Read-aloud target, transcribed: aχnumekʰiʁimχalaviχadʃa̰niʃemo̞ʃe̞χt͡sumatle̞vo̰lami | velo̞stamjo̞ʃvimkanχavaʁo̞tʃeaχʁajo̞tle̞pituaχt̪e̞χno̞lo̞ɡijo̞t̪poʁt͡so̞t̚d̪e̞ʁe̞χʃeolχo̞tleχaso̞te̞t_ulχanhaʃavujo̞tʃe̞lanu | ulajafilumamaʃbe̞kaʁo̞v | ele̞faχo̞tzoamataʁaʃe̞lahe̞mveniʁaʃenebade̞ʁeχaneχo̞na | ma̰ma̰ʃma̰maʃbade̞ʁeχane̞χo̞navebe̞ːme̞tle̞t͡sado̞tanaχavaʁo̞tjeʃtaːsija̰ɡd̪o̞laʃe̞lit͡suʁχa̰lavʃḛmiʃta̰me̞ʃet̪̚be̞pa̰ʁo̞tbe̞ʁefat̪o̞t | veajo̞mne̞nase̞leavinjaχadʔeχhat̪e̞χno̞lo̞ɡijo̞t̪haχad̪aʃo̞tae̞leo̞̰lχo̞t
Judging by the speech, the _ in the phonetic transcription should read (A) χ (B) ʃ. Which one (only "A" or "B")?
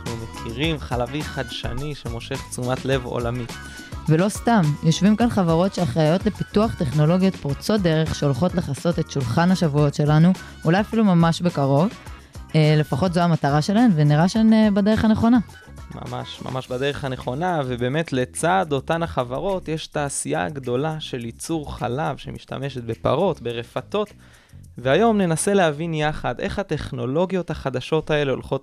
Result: B